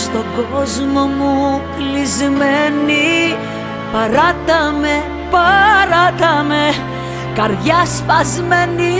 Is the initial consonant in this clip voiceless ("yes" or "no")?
yes